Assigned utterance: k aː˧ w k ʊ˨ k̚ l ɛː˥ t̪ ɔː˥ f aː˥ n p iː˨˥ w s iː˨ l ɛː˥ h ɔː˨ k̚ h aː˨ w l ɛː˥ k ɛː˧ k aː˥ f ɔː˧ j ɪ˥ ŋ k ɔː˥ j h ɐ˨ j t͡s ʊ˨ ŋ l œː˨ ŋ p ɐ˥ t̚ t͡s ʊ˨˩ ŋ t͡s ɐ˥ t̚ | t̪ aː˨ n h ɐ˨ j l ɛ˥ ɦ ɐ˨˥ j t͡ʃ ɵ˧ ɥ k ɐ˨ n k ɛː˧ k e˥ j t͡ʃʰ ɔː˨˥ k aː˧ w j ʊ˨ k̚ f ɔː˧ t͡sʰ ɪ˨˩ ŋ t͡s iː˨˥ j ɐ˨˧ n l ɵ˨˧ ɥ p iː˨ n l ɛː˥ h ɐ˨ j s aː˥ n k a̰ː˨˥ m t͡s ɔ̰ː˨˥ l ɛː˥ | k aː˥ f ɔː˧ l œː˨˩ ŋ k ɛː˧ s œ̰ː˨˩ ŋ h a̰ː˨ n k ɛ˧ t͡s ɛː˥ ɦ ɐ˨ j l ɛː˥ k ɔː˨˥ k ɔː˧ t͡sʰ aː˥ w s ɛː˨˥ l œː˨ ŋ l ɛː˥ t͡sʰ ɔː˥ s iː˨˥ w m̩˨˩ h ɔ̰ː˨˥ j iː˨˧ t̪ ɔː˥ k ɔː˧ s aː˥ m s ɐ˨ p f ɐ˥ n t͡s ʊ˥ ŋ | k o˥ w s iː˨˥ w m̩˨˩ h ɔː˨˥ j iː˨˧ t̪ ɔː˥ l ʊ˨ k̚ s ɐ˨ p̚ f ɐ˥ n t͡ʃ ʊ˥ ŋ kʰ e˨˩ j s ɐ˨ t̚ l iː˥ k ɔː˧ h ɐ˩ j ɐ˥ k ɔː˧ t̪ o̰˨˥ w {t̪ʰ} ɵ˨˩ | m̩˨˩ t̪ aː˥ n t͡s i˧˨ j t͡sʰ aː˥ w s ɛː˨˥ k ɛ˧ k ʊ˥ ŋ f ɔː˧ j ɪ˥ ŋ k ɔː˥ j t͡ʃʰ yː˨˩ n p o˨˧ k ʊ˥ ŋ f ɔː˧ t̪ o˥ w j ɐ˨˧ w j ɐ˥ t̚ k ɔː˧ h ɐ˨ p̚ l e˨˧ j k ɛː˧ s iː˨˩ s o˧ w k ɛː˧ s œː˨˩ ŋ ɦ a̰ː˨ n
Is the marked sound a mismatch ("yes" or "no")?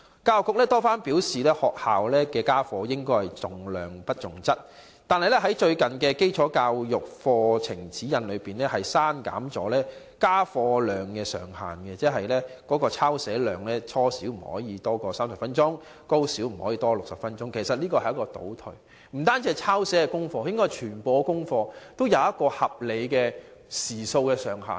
no